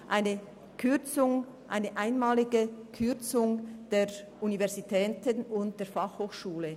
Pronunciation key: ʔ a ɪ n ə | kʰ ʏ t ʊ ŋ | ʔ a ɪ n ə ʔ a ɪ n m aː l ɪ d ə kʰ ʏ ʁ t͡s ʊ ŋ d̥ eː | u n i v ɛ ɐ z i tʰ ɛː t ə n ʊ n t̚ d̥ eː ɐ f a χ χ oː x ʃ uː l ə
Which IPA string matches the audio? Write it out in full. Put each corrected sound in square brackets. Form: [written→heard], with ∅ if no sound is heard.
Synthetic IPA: ʔ a ɪ n ə | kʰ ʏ [t→t͡s] ʊ ŋ | ʔ a ɪ n ə ʔ a ɪ n m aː l ɪ [d→ɡ] ə kʰ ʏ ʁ t͡s ʊ ŋ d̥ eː | u n i v ɛ ɐ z i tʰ ɛː t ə n ʊ n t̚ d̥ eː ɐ f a χ [χ→h] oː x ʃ uː l ə